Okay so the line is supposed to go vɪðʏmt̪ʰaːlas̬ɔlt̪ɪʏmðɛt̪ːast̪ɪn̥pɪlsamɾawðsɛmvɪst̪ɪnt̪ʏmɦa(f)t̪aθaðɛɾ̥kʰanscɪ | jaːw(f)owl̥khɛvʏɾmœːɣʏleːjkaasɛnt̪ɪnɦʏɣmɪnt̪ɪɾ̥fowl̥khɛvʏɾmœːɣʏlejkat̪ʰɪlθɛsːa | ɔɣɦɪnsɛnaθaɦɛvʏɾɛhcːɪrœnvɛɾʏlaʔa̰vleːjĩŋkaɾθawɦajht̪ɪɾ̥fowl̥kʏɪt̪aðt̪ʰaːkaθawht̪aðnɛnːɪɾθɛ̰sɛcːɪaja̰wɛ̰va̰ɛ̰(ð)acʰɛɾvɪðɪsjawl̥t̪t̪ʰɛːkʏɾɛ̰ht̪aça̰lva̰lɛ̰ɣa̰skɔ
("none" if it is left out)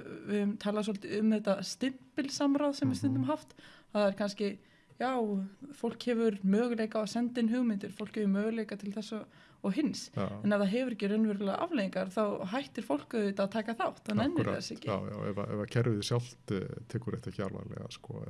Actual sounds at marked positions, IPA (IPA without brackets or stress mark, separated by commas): f, f, v